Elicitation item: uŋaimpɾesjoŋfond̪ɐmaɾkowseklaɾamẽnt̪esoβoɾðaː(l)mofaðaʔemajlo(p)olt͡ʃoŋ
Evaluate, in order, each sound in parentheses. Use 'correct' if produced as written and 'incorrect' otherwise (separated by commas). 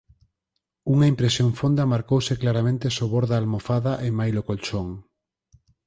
correct, incorrect